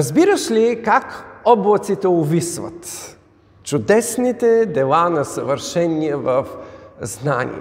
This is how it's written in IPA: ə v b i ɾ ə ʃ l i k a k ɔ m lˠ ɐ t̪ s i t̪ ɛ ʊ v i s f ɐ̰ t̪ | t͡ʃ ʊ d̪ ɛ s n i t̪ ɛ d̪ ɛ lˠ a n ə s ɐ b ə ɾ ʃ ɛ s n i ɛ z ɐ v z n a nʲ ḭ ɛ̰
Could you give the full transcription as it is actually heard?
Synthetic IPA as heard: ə z b i ɾ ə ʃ l i k a k ɔ b lˠ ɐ t̪ s i t̪ ɛ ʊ v i s v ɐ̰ t̪ | t͡ʃ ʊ d̪ ɛ s n i t̪ ɛ d̪ ɛ lˠ a n ɐ s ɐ v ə ɾ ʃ ɛ n i ɛ v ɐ f z n a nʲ ḭ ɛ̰